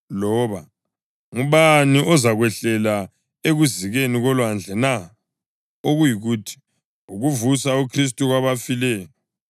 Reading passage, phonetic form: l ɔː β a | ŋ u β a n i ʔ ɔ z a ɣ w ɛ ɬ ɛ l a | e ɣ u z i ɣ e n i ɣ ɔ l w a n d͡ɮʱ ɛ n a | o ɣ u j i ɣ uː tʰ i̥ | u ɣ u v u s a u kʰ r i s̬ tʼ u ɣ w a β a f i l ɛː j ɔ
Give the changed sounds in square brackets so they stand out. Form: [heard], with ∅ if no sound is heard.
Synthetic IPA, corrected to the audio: l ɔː β a | ŋ u β a n i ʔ ɔ z a ɣ w ɛ ɬ ɛ l a | e ɣ u z i ɣ e n i ɣ ɔ l w a n d͡ɮʱ ɛ n a | o ɣ u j i ɣ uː tʰ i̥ | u ɣ u v u s a u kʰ r i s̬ tʼ u ɣ w a β a f i l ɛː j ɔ